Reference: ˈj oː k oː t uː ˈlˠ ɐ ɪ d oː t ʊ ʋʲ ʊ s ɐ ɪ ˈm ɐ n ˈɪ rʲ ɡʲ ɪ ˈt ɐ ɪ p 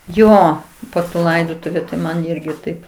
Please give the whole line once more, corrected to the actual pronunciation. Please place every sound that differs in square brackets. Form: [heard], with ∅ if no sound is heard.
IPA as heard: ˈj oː [p] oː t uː ˈlˠ ɐ ɪ d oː t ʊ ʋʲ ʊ [t] ɐ ɪ ˈm ɐ n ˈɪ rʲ ɡʲ ɪ ˈt ɐ ɪ p